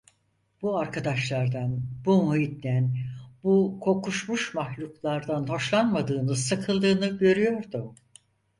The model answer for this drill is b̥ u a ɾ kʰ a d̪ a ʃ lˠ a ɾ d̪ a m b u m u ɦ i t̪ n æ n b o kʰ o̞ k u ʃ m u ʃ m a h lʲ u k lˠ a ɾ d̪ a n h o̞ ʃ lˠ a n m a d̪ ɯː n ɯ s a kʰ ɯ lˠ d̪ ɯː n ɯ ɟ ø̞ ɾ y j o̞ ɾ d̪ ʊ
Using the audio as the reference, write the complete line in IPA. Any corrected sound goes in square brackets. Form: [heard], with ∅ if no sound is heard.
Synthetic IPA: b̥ u a ɾ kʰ a d̪ a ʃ lˠ a ɾ d̪ a [n] b u m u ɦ i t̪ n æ n b [u] kʰ o̞ k u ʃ m u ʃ m a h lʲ u k lˠ a ɾ d̪ a n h o̞ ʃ lˠ a n m a d̪ ɯː n ɯ s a kʰ ɯ lˠ d̪ ɯː n ɯ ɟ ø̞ ɾ y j o̞ ɾ d̪ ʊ